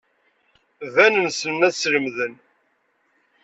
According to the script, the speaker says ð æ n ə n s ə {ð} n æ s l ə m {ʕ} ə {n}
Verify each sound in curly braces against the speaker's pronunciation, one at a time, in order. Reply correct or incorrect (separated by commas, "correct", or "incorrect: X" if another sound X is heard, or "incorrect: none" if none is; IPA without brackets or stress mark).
incorrect: none, incorrect: ð, correct